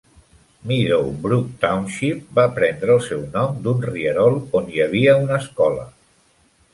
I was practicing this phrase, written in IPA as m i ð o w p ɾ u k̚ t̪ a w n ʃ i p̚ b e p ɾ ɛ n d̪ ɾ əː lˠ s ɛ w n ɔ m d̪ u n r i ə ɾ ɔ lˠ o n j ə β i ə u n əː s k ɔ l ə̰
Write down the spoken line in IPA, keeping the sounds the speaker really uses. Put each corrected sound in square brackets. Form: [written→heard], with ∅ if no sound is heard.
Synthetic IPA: m i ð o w [p→b] ɾ u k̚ t̪ a w n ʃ i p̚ b [e→a] p ɾ ɛ n d̪ ɾ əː lˠ s ɛ w n ɔ m d̪ u n r i ə ɾ ɔ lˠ o n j ə β i ə u n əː s k ɔ l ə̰